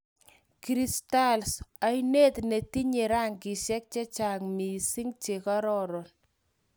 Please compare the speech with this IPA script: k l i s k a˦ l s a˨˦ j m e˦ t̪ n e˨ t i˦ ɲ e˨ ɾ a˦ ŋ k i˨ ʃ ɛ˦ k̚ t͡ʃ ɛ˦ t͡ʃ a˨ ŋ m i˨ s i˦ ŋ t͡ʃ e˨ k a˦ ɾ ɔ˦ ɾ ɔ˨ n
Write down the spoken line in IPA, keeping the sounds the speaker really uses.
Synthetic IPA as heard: k ɾ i s t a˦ l s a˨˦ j n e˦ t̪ n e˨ t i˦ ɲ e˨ ɾ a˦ ŋ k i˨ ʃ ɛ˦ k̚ t͡ʃ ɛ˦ t͡ʃ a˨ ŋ m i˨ s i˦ ŋ t͡ʃ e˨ k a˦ ɾ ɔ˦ ɾ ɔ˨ n